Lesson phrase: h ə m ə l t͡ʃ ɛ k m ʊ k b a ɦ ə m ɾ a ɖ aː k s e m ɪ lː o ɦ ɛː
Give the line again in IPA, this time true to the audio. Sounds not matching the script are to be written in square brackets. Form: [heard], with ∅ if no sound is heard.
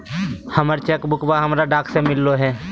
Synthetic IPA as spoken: h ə m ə [ɾ] t͡ʃ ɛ k [b] ʊ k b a ɦ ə m ɾ a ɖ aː k s e m ɪ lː o ɦ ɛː

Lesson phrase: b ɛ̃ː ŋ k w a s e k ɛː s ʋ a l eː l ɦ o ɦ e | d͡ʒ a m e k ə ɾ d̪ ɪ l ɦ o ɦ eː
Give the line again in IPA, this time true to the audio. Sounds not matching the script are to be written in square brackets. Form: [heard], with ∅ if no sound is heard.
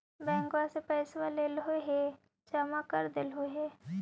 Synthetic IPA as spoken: b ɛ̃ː ŋ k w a s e [p] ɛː s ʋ a l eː l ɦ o ɦ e | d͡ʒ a m [a] k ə ɾ d̪ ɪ l ɦ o ɦ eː

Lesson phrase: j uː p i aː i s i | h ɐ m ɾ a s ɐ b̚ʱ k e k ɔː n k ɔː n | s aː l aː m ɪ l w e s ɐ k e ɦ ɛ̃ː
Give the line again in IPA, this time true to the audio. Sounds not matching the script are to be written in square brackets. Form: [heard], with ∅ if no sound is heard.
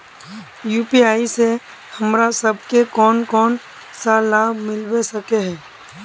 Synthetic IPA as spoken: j uː p i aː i s [e] | h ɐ m ɾ a s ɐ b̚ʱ k e k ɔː n k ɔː n | s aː l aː m ɪ l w e s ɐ k e ɦ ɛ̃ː

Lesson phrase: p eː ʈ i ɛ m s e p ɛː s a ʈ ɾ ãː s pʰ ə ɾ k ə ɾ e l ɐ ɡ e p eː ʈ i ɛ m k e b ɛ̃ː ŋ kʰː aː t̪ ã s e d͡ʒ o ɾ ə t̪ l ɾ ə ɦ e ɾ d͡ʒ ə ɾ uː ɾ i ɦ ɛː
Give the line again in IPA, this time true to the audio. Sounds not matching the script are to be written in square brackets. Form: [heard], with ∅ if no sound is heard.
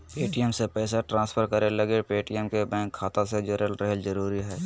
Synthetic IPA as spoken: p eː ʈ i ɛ m s e p ɛː s a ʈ ɾ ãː s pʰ ə ɾ k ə ɾ e l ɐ ɡ e p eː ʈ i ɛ m k e b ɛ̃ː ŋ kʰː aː t̪ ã s e d͡ʒ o ɾ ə [∅] l ɾ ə ɦ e [l] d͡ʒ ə ɾ uː ɾ i ɦ ɛː

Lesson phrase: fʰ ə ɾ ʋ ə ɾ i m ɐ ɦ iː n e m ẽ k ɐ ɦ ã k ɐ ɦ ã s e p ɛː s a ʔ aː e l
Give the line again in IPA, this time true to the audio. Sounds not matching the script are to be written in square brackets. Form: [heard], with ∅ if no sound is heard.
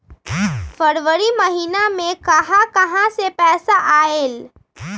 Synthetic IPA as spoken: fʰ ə ɾ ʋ ə ɾ i m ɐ ɦ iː n [a] m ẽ k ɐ ɦ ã k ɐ ɦ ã s e p ɛː s a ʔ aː e l

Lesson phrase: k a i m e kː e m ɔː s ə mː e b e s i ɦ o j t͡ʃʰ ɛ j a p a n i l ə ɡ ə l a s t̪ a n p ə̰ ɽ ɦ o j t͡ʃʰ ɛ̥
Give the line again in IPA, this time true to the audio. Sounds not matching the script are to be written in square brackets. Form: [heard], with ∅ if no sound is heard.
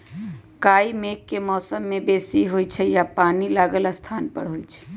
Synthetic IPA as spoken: k a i m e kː e m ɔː s ə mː e b e s i ɦ o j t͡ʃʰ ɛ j a p a n i l [a] ɡ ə l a s [t̪ʰ] a n p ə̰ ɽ ɦ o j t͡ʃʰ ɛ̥

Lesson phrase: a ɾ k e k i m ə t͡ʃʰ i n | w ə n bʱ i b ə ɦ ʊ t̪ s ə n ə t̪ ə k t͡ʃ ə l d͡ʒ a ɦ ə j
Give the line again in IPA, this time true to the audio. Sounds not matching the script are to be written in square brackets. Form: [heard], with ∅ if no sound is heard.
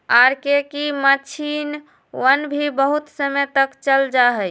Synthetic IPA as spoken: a ɾ k e k i m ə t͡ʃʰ i n | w ə n bʱ i b ə ɦ [u] t̪ s ə [m] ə t̪ ə k t͡ʃ ə l d͡ʒ a ɦ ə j

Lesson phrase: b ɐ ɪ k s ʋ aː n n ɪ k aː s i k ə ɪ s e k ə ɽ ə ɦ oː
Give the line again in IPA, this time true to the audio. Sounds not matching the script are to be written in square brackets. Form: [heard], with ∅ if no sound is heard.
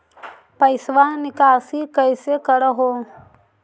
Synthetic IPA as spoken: [p] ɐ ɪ [∅] s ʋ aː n n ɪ k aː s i k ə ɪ s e k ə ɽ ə ɦ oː

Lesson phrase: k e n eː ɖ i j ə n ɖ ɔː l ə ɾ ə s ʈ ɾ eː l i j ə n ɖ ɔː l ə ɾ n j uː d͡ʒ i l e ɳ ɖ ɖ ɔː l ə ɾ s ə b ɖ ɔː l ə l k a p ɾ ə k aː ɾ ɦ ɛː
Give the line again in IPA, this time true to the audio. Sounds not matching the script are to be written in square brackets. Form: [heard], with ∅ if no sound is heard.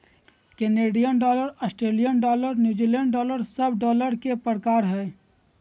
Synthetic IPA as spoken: k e n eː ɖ i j ə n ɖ ɔː l ə ɾ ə s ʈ ɾ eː l i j ə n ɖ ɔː l ə ɾ n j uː d͡ʒ i l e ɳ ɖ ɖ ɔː l ə ɾ s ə b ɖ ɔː l ə [ɾ] k [e] p ɾ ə k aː ɾ ɦ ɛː

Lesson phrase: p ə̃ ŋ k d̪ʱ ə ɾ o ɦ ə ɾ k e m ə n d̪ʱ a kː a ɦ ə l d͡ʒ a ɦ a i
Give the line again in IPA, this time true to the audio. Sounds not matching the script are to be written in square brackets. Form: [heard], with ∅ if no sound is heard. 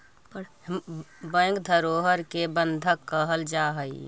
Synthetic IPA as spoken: [b] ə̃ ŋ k d̪ʱ ə ɾ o ɦ ə ɾ k e [b] ə n d̪ʱ [ə] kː [ə] ɦ ə l d͡ʒ a ɦ [ə] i

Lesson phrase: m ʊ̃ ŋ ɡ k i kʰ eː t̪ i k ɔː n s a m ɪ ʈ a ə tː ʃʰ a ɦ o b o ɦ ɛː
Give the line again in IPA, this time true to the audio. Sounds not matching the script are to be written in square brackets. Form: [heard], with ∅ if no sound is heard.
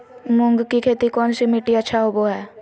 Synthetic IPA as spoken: m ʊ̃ ŋ ɡ k i kʰ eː t̪ i k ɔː n s [i] m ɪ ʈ [i] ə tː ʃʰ a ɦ o b o ɦ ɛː

